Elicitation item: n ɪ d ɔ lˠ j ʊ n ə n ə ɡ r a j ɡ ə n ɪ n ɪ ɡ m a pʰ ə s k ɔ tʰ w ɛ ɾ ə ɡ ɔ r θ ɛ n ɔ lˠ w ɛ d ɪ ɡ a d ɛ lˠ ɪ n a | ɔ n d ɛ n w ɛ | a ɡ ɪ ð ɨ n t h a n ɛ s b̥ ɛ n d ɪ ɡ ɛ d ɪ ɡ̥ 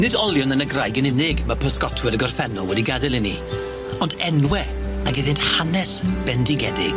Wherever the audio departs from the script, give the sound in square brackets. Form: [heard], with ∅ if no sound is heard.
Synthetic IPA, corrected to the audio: n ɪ d ɔ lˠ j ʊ n ə n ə ɡ r a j ɡ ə n ɪ n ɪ ɡ m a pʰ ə s k ɔ tʰ w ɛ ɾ ə ɡ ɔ r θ ɛ n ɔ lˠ w ɛ d [i] ɡ a d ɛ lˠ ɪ n [i] | ɔ n d ɛ n w ɛ | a ɡ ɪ ð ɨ n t h a n ɛ s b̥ ɛ n d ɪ ɡ ɛ d ɪ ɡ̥

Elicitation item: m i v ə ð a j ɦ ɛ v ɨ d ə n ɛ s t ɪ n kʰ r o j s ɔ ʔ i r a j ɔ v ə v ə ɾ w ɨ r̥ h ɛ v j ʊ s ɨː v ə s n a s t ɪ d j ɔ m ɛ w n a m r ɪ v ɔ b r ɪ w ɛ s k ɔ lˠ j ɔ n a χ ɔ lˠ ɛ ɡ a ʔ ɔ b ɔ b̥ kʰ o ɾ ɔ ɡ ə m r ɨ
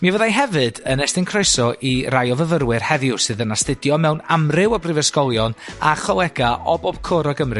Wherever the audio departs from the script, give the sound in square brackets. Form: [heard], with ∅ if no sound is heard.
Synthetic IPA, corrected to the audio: m i v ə ð a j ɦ ɛ v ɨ d ə n ɛ s t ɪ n kʰ r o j s ɔ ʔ i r a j ɔ v ə v ə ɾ w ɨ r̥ h ɛ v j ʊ s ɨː [ð] ə [∅] n a s t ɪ d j ɔ m ɛ w n a m r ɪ [w] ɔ b r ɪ [v] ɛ s k ɔ lˠ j ɔ n a χ ɔ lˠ ɛ ɡ a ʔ ɔ b ɔ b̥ kʰ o ɾ ɔ ɡ ə m r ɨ

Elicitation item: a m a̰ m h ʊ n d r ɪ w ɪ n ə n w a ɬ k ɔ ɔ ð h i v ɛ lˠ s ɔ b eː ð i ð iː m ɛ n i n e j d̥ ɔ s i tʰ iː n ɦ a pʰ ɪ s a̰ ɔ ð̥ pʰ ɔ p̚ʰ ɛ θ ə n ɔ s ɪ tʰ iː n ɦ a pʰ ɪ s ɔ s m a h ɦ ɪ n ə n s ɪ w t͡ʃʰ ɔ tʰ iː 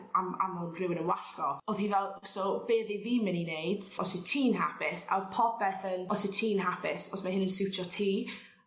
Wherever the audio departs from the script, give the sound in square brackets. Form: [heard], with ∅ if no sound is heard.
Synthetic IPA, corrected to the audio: a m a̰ m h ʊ n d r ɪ w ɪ n ə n w a ɬ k ɔ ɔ ð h i v ɛ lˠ s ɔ b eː ð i [v] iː m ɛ n i n e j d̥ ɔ s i tʰ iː n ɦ a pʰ ɪ s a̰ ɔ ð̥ pʰ ɔ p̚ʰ ɛ θ ə n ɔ s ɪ tʰ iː n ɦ a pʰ ɪ s ɔ s m a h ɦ ɪ n ə n s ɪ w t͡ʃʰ ɔ tʰ iː

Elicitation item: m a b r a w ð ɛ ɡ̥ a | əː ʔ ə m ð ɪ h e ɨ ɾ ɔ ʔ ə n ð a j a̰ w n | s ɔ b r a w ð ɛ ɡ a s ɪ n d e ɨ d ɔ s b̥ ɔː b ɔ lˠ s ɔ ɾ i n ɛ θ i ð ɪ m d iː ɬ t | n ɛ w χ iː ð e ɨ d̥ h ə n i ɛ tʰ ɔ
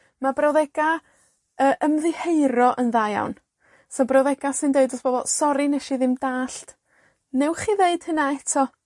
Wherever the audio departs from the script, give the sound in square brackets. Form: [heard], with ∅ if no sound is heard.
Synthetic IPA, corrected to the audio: m a b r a w ð ɛ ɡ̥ a | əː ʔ ə m ð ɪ h e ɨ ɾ ɔ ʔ ə n ð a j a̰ w n | s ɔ b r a w ð ɛ ɡ a s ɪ n d e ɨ d ɔ s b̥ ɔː b ɔ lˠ s ɔ ɾ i n ɛ [ʃ] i ð ɪ m d [aː] ɬ t | n ɛ w χ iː ð e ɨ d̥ h ə n [a] ɛ tʰ ɔ

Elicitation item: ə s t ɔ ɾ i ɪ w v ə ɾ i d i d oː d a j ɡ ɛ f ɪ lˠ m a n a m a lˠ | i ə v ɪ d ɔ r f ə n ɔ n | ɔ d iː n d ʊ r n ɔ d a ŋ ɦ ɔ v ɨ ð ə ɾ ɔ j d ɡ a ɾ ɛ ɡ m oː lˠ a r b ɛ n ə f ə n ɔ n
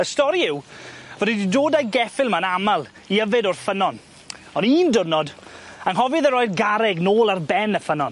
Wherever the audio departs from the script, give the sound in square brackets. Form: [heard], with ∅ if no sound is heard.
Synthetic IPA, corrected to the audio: ə s t ɔ ɾ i ɪ w v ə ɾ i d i d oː d a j ɡ ɛ f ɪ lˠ m a n a m a lˠ | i ə v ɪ d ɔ r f ə n ɔ n | ɔ [n] iː n d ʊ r n ɔ d a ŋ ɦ ɔ v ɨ ð ə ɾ ɔ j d ɡ a ɾ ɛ ɡ [n] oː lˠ a r b ɛ n ə f ə n ɔ n

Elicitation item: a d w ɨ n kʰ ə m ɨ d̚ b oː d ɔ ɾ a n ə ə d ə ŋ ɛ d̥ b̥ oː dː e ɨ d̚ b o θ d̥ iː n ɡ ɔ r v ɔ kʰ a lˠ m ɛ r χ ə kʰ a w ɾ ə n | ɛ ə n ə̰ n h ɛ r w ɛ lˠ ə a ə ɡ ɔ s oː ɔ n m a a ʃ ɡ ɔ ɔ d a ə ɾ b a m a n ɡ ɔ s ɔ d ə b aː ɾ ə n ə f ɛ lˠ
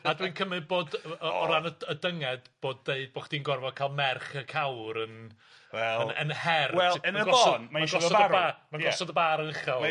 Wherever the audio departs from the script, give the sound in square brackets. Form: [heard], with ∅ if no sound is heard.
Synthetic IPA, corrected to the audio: a d w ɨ n kʰ ə m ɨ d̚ b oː d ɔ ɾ a n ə ə d ə ŋ ɛ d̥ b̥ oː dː e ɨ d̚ b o [χ] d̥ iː n ɡ ɔ r v ɔ kʰ a lˠ m ɛ r χ ə kʰ a w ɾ ə n | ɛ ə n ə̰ n h ɛ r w ɛ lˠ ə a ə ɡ ɔ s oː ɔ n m a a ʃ ɡ ɔ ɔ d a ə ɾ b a m a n ɡ ɔ s ɔ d ə b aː ɾ ə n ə [χ] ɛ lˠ

